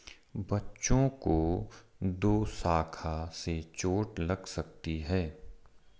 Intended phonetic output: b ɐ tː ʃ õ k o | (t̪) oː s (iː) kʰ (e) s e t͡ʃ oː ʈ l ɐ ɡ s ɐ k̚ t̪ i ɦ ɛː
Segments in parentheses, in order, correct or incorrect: incorrect: d̪, incorrect: aː, incorrect: a

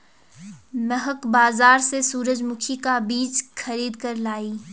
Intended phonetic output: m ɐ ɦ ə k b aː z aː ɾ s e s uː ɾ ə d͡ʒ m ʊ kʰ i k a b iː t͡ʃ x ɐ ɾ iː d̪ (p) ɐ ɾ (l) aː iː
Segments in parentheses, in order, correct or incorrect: incorrect: k, correct

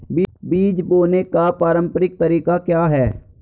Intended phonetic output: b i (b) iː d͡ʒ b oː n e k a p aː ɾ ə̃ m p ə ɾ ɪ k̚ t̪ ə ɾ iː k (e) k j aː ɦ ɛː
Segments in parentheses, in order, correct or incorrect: correct, incorrect: a

